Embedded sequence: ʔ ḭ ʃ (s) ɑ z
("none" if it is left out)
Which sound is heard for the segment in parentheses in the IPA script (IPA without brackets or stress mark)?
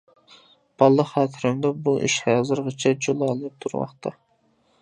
h